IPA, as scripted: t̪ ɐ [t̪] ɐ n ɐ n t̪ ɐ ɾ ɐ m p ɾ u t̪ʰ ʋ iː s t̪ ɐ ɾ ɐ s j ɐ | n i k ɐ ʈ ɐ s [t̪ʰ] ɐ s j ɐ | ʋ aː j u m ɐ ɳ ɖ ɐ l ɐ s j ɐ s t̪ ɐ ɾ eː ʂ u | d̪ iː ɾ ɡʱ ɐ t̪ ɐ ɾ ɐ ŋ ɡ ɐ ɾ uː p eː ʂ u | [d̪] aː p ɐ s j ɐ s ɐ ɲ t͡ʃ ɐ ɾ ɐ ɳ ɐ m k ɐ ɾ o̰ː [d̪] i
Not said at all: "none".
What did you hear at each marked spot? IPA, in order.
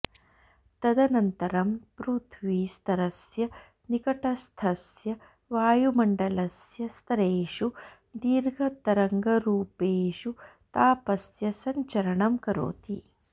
d̪, t̪ʰ, t̪, t̪

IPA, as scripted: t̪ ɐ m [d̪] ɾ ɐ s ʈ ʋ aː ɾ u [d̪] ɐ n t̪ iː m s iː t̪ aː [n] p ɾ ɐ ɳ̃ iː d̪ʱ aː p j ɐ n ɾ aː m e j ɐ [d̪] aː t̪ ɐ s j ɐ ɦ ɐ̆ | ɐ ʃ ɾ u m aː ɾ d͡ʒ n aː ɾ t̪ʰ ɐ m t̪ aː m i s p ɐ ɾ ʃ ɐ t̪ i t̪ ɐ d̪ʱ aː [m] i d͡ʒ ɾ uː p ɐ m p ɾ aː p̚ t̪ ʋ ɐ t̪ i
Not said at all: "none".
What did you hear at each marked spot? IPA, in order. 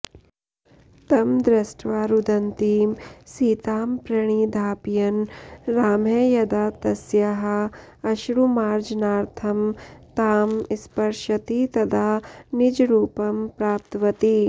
d̪, d̪, m, d̪, n

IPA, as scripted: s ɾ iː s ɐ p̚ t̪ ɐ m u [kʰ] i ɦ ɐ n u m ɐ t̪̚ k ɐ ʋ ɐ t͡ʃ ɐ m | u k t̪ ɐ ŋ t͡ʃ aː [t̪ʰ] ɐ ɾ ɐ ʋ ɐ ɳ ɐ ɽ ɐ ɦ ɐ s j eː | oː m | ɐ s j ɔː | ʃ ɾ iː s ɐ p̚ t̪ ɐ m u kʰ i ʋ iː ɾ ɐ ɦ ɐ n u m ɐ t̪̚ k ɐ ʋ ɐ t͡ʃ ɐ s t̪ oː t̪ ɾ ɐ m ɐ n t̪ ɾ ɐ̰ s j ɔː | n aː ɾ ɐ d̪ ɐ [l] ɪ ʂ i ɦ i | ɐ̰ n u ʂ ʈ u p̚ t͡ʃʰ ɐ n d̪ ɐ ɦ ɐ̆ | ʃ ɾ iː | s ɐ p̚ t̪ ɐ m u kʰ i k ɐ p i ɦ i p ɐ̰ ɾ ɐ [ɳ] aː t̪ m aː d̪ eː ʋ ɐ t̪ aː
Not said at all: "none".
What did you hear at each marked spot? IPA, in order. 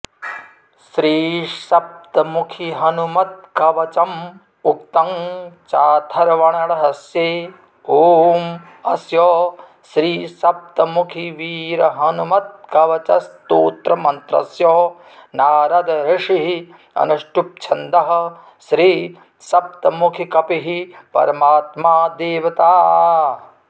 kʰ, t̪ʰ, ɾ, m

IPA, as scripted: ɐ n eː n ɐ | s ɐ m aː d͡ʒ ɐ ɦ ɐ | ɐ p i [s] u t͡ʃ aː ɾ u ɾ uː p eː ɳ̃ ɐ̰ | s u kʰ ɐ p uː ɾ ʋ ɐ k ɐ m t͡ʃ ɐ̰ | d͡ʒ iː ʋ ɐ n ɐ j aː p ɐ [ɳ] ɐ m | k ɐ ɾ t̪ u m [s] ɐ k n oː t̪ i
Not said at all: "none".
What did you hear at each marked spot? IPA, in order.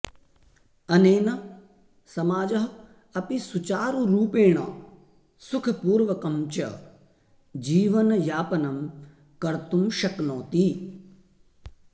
s, n, ʃ

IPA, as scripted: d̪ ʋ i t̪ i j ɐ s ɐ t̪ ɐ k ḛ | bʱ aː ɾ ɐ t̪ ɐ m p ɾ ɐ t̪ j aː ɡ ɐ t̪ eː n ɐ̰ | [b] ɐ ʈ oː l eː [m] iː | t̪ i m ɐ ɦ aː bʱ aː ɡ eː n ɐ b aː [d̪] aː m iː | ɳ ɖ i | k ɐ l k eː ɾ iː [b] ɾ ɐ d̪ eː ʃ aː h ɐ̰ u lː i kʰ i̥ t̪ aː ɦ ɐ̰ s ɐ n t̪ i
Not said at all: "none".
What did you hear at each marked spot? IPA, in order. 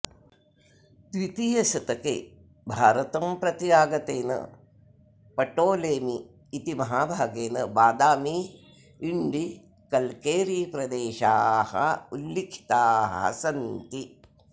p, m, d̪, p

